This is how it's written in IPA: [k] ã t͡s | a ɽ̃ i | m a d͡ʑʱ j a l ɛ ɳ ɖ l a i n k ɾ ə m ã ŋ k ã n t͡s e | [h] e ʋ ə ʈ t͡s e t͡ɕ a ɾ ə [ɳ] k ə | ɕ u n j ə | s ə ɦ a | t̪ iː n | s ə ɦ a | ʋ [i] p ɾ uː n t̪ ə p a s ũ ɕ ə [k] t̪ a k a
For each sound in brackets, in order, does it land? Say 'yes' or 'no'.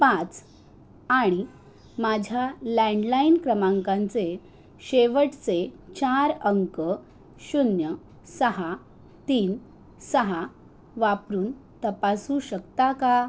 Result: no, no, no, no, yes

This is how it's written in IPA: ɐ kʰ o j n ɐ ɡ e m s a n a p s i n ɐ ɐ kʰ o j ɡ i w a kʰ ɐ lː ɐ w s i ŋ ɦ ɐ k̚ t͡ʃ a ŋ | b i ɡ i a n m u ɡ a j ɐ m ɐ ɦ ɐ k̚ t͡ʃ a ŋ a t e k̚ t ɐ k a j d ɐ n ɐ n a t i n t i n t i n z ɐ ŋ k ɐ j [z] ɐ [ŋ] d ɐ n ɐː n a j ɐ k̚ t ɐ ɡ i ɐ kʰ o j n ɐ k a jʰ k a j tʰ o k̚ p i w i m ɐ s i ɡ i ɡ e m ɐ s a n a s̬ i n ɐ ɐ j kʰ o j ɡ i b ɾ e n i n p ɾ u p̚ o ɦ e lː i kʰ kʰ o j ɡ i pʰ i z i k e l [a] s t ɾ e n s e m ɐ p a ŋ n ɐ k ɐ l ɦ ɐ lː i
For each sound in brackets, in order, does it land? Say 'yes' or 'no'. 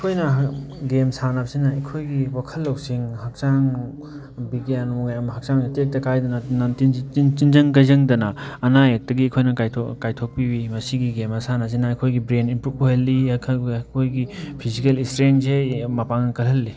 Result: yes, yes, no

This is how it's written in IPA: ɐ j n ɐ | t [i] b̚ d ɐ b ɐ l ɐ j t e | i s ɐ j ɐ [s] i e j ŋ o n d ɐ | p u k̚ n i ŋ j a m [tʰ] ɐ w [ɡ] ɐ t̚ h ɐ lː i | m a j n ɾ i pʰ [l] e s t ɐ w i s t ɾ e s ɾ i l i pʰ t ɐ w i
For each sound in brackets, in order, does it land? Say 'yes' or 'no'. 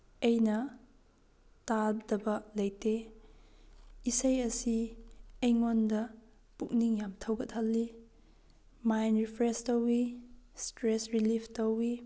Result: no, yes, yes, yes, no

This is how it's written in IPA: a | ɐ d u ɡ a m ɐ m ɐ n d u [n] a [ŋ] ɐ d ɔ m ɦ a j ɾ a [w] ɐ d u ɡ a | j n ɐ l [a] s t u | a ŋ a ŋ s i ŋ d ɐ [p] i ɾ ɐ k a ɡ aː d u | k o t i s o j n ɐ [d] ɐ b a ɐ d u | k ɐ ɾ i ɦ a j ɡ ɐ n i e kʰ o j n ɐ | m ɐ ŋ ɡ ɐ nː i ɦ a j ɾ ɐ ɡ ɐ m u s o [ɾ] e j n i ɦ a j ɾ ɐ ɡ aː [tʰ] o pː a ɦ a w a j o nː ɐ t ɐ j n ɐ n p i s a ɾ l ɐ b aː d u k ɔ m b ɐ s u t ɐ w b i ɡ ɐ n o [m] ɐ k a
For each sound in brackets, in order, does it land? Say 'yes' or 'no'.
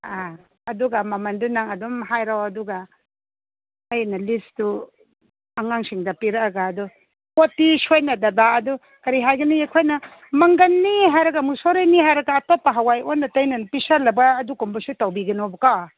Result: yes, yes, yes, no, yes, yes, yes, no, no

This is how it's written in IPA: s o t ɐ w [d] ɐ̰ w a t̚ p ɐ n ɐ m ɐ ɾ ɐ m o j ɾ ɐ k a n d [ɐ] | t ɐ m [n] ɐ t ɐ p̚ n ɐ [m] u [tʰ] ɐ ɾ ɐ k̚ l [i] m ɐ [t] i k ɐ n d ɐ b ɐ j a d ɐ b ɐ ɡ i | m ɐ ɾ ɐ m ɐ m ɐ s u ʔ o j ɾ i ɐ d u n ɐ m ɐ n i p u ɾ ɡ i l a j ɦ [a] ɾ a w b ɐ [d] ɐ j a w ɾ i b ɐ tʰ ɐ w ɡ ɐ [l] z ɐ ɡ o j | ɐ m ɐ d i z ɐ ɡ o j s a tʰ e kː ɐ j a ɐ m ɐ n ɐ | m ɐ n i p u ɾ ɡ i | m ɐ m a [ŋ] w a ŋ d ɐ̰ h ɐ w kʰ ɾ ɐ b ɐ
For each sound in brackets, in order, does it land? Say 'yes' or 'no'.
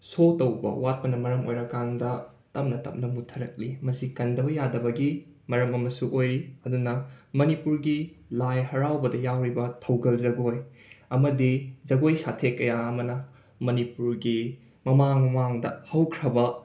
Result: no, yes, yes, yes, yes, yes, no, no, yes, yes, yes

